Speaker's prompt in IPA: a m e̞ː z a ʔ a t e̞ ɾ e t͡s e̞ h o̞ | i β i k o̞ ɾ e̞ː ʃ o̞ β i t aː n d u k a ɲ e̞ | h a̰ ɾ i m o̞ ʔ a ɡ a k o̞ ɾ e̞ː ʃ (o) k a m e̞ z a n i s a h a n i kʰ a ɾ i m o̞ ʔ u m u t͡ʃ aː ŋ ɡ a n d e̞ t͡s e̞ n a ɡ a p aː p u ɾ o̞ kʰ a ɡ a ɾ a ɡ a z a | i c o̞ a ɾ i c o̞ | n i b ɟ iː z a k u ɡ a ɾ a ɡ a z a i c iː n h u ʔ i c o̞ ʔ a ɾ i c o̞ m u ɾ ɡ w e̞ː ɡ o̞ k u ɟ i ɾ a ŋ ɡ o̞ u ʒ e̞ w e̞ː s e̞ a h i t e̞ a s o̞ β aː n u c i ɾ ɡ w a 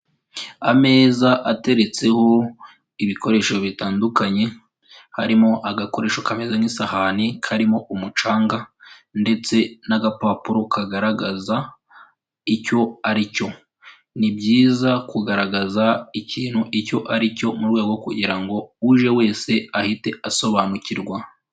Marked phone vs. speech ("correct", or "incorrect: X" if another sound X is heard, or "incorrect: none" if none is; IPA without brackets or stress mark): correct